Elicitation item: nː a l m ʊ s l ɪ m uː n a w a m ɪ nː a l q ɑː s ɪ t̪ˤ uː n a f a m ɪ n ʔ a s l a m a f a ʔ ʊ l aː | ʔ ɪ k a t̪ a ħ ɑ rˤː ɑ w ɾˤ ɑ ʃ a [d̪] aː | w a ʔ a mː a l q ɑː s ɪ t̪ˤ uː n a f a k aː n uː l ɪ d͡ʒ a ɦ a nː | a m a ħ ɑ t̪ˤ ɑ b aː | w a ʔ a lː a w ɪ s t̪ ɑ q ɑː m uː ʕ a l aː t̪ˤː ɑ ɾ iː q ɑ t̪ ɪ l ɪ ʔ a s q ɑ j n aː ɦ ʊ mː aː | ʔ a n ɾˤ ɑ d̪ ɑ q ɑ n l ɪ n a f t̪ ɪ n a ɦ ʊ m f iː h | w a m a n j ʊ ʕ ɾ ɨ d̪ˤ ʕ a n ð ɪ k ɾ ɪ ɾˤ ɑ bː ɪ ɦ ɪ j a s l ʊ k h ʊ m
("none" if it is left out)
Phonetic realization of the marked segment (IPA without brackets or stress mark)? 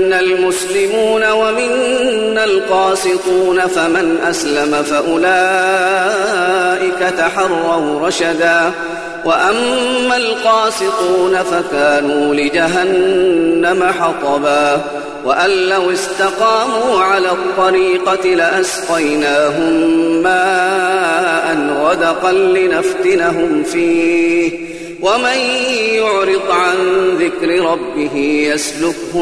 d̪